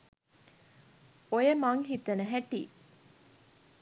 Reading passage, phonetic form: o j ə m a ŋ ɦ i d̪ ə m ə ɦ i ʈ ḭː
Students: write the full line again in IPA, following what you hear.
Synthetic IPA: o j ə m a ŋ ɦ i t̪ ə n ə ɦ æ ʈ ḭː